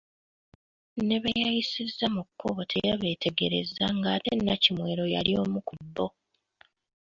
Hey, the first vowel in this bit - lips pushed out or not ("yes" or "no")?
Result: no